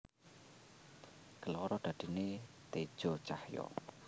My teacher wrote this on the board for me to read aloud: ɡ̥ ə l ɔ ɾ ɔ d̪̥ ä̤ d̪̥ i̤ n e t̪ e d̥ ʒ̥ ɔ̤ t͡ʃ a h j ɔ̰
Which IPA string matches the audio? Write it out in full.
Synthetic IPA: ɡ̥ ə l ɔ ɾ ɔ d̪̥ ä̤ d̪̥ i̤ n e t̪ e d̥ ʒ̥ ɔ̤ t͡ʃ a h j ɔ̰